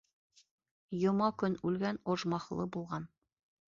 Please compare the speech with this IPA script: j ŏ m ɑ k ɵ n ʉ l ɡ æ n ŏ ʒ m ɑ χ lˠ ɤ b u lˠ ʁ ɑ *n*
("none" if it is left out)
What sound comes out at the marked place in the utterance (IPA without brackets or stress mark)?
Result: n